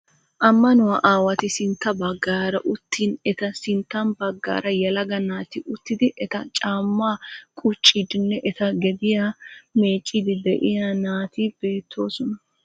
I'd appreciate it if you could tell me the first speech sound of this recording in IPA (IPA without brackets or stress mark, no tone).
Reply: ʔ